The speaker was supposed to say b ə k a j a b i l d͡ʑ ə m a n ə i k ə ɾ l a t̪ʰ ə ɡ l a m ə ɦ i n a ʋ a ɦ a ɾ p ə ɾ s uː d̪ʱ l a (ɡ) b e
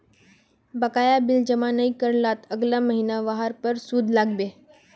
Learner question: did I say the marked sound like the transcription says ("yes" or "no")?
yes